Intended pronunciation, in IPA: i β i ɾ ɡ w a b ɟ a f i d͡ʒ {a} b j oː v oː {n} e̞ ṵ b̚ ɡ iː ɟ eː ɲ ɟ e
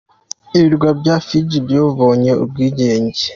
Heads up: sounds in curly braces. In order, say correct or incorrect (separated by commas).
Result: incorrect, incorrect